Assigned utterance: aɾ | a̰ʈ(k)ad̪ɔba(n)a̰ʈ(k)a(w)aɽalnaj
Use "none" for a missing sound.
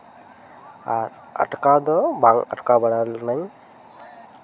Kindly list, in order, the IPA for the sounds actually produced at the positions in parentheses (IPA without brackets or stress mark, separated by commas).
k, ŋ, k, b